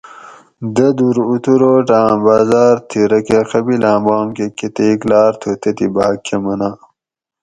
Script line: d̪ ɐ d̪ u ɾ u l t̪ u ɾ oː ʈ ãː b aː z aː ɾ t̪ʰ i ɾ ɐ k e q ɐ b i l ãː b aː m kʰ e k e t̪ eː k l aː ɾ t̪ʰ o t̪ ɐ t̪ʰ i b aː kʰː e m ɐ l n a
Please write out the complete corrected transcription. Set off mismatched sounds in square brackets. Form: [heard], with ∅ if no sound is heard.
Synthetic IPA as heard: d̪ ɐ d̪ u ɾ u [∅] t̪ u ɾ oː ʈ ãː b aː z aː ɾ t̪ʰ i ɾ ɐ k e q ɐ b i l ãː b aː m [k] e k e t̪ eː k l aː ɾ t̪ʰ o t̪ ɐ [t̪] i b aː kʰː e m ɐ [∅] n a